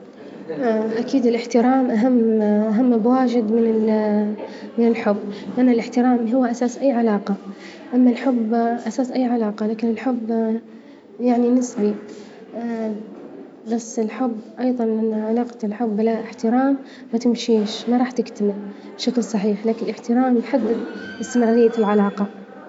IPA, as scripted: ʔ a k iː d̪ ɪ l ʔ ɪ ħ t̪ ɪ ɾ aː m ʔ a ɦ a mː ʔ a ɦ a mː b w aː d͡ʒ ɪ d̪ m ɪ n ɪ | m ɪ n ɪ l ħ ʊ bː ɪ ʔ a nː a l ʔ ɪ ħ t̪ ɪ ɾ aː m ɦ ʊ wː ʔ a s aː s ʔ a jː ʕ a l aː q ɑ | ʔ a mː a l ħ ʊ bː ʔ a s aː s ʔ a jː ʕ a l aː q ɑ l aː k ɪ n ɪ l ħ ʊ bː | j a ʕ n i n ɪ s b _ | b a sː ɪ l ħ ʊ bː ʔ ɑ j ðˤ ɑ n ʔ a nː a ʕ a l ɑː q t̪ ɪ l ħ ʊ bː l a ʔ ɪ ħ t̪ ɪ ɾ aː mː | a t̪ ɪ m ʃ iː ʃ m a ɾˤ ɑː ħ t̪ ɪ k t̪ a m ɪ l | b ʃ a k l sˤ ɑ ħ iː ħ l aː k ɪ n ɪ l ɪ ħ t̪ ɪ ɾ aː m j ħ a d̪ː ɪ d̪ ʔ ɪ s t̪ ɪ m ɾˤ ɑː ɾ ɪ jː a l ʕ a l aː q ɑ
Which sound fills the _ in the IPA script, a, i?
i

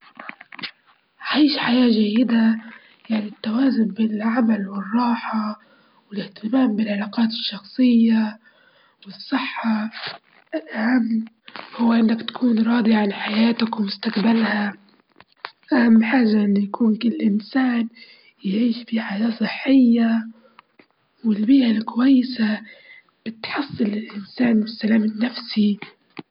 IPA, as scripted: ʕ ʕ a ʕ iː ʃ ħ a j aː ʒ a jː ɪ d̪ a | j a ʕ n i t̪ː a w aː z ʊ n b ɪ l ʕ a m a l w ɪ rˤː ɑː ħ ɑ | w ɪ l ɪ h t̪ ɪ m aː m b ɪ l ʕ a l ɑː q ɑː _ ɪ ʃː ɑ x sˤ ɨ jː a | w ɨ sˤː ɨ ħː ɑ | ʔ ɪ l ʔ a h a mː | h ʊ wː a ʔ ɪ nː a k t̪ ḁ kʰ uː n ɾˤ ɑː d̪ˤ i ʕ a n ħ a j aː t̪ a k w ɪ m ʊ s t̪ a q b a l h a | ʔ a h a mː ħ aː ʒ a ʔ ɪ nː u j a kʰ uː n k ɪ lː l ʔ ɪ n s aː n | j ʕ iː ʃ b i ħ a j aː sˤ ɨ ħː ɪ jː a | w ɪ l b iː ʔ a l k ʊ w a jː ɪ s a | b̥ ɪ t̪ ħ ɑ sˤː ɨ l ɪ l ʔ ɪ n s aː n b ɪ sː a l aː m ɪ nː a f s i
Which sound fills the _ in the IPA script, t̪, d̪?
t̪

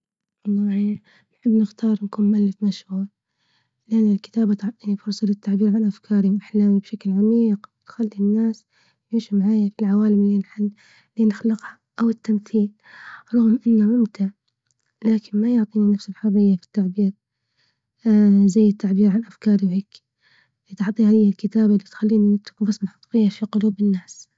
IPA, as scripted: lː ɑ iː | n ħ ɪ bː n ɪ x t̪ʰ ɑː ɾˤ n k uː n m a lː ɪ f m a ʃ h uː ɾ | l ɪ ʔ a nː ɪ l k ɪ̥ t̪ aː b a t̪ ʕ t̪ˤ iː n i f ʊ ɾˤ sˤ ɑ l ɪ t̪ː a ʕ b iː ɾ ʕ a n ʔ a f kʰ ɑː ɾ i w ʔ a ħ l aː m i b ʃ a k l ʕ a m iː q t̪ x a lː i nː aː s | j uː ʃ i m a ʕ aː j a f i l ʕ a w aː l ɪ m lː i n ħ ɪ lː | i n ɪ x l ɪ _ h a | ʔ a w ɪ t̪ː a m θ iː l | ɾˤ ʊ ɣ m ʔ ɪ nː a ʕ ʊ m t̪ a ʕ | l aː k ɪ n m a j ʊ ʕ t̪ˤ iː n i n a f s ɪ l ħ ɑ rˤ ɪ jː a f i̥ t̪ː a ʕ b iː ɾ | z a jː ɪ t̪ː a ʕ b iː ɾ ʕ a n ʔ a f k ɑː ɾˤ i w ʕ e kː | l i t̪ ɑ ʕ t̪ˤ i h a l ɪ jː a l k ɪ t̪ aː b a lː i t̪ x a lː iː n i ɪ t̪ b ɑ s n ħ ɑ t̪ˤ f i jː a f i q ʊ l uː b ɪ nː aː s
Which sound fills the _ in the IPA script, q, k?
q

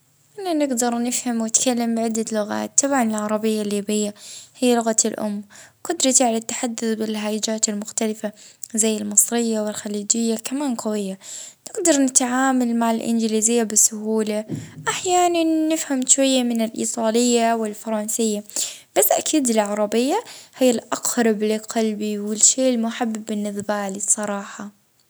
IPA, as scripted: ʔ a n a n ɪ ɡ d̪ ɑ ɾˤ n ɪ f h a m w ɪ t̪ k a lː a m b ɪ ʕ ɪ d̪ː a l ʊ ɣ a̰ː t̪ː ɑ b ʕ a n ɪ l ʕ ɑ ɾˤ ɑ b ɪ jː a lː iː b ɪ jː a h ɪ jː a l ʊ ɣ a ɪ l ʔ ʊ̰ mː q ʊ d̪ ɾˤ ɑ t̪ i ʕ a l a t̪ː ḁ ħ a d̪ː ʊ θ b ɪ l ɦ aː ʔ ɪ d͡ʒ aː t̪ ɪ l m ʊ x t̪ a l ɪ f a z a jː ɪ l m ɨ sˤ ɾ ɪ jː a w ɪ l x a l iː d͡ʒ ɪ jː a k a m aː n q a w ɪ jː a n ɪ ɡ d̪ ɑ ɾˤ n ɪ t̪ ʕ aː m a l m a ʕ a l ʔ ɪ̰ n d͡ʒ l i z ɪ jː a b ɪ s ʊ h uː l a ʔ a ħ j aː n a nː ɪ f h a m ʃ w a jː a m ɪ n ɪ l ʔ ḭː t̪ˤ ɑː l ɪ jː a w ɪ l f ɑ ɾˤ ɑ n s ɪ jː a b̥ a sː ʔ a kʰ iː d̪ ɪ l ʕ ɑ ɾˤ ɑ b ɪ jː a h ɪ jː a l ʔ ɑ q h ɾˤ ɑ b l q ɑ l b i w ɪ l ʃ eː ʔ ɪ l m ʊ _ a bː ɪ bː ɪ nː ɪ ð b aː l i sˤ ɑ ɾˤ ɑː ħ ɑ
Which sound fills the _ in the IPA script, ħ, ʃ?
ħ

